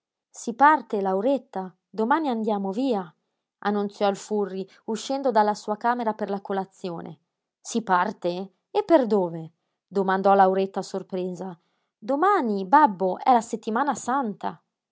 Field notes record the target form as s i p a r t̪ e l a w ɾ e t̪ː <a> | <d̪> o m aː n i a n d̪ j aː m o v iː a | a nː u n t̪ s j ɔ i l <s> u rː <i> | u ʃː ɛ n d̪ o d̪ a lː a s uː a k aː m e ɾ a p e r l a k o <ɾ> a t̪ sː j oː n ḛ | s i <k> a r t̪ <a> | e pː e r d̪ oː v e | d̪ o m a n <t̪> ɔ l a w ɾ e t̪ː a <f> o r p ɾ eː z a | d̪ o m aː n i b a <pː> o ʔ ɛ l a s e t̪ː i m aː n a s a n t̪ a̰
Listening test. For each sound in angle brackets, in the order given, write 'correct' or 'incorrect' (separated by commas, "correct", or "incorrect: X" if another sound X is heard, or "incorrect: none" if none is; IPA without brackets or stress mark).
correct, correct, incorrect: f, correct, incorrect: l, incorrect: p, incorrect: e, incorrect: d̪, incorrect: s, incorrect: bː